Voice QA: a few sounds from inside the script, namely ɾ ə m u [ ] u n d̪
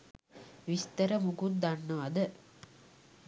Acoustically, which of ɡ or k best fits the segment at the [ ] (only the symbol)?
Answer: ɡ